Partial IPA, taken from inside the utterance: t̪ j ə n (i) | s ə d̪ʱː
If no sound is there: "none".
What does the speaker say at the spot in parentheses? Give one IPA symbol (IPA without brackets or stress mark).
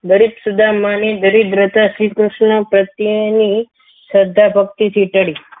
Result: i